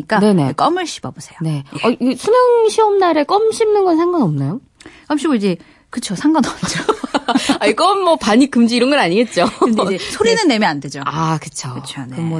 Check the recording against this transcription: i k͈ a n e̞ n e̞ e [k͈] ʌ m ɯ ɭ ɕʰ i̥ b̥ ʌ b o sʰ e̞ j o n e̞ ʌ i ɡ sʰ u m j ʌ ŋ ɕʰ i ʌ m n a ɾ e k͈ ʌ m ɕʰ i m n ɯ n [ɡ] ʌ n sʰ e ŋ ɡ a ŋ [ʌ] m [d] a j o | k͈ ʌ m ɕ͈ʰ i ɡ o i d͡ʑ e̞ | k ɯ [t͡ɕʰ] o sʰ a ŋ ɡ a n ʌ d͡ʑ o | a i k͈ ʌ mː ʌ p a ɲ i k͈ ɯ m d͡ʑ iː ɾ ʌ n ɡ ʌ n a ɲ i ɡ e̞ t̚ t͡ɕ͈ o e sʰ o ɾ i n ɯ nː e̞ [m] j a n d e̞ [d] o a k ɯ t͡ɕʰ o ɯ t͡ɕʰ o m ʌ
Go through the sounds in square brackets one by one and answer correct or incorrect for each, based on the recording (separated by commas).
correct, correct, correct, incorrect, correct, correct, incorrect